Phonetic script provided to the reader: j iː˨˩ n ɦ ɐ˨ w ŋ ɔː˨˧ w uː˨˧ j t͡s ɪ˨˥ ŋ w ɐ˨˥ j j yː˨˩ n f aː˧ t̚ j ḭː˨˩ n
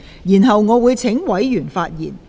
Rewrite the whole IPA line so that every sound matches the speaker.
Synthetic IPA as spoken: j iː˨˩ n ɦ ɐ˨ w ŋ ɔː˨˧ w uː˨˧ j t͡sʰ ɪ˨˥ ŋ w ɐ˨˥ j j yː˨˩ n f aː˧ t̚ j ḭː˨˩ n

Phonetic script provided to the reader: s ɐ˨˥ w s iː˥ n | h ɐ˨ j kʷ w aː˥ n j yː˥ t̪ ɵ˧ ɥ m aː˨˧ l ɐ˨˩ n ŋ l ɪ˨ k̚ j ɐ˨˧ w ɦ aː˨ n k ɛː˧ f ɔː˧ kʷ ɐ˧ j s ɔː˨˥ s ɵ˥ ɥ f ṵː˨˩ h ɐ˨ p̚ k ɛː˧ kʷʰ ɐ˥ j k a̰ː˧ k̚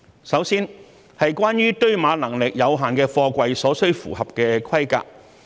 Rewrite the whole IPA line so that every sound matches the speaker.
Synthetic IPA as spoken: s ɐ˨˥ w s iː˥ n | h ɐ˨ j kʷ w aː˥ n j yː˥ t̪ ɵ˥ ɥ m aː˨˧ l ɐ˨˩ ŋ l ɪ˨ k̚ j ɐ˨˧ w ɦ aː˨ n k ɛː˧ f ɔː˧ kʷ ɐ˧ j s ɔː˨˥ s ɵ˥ ɥ f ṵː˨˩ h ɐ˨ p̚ k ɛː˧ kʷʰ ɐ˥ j k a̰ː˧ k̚

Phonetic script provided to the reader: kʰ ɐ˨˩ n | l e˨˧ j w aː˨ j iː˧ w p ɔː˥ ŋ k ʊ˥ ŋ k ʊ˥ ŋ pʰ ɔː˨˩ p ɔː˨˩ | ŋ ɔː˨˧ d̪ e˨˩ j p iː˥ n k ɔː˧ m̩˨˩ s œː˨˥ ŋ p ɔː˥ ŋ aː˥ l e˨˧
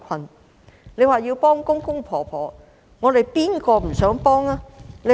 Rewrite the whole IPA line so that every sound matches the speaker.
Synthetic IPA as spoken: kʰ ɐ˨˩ n | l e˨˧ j w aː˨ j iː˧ w p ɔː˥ ŋ k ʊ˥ ŋ k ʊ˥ ŋ pʰ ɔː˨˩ pʰ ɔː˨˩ | ŋ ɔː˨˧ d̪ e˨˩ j p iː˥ n k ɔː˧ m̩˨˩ s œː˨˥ ŋ p ɔː˥ ŋ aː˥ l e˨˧

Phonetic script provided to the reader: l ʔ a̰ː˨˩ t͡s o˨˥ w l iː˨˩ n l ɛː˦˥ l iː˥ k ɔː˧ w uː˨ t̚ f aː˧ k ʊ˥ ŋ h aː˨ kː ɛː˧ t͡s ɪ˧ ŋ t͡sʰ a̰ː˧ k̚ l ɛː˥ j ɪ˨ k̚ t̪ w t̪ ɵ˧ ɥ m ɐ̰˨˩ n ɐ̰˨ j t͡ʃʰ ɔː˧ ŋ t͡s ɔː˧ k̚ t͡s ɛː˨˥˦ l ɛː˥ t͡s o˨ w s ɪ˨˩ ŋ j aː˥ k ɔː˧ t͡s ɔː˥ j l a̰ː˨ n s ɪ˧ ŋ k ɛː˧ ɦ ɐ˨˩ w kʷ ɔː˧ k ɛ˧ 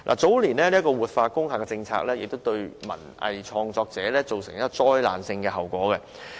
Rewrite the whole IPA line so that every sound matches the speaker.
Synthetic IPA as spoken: l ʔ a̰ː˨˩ t͡s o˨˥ w l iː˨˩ n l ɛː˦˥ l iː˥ k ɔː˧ w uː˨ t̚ f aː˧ k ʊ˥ ŋ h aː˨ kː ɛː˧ t͡s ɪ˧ ŋ t͡sʰ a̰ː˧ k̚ l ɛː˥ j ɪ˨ k̚ t̪ w t̪ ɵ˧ ɥ m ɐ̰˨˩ n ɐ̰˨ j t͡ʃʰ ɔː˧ ŋ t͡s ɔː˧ k̚ t͡s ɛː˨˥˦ l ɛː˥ t͡s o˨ w s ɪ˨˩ ŋ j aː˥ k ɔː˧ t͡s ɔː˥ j l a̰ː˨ n s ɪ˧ ŋ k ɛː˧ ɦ ɐ˨˩ w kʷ ɔː˨˥ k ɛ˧

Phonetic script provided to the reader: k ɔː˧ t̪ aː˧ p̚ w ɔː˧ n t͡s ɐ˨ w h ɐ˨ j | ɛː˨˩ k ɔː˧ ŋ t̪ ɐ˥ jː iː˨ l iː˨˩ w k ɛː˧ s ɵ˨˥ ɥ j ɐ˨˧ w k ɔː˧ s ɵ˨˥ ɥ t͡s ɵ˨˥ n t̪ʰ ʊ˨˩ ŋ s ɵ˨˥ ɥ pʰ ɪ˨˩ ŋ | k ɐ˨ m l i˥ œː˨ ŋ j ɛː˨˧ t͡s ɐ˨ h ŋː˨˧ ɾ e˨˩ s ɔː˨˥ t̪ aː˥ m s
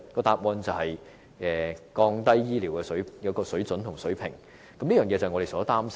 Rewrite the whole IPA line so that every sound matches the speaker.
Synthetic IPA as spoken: k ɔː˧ t̪ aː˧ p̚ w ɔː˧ n t͡s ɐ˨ w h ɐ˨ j | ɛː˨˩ k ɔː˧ ŋ t̪ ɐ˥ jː iː˥ l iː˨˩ w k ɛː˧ s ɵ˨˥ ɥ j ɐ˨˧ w k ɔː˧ s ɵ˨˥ ɥ t͡s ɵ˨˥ n t̪ʰ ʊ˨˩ ŋ s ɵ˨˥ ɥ pʰ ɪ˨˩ ŋ | k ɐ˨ m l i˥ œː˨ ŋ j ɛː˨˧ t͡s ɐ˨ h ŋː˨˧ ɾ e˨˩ s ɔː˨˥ t̪ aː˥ m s

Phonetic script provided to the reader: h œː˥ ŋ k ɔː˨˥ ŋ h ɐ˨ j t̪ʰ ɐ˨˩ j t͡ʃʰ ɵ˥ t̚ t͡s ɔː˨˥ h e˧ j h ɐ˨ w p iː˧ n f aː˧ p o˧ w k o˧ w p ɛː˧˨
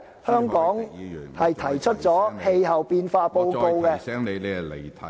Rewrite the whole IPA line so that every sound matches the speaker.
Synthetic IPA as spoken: h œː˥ ŋ k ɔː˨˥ ŋ h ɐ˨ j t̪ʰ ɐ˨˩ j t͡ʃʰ ɵ˥ t̚ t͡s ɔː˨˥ h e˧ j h ɐ˨ w p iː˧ n f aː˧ p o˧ w k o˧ w k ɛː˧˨

